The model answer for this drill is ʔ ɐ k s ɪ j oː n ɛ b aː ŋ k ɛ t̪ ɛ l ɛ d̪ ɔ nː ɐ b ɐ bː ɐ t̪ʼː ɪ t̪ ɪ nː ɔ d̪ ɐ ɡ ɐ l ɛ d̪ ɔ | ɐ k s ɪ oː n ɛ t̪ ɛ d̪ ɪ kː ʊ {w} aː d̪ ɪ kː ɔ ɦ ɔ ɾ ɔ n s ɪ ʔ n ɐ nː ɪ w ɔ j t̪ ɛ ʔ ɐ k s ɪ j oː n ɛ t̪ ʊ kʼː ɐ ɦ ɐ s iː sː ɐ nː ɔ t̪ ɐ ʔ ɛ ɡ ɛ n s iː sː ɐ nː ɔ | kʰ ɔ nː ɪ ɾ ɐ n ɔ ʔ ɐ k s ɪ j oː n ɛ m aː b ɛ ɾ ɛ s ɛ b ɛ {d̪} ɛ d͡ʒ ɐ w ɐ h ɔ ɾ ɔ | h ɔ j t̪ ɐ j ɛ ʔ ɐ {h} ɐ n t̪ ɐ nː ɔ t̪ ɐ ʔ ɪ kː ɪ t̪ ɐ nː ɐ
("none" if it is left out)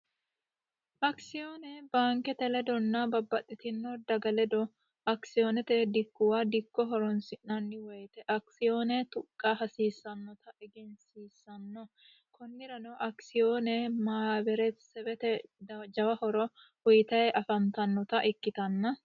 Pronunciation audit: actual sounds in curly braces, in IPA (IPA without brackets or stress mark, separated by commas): w, t̪, f